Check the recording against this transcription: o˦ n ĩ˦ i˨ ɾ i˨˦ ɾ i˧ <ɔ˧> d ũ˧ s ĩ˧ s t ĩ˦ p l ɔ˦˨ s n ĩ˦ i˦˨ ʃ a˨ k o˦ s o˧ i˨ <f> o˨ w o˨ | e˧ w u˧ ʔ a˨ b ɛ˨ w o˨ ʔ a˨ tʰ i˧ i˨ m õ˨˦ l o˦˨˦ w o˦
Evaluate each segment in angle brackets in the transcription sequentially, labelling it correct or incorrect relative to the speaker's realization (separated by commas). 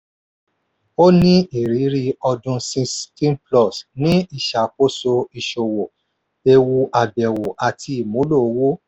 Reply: correct, incorrect